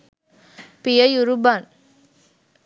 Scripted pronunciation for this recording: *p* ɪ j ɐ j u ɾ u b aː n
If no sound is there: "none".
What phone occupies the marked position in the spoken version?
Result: p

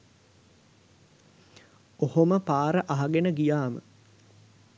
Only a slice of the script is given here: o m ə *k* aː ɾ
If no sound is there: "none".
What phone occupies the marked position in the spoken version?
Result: p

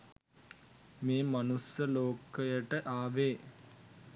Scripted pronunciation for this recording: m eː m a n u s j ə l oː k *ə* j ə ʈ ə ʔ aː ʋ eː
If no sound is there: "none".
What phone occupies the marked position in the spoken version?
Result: ə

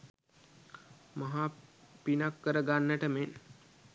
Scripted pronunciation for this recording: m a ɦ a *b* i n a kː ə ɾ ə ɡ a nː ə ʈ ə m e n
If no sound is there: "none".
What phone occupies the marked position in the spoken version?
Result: p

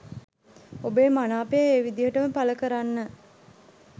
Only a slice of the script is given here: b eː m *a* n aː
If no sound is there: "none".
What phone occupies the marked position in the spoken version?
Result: a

